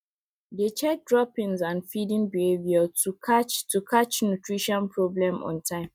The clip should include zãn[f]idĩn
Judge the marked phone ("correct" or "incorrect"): correct